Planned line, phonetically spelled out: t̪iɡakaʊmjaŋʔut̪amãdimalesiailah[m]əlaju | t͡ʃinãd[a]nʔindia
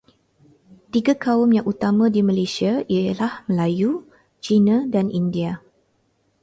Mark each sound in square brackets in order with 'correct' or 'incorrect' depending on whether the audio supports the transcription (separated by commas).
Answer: correct, correct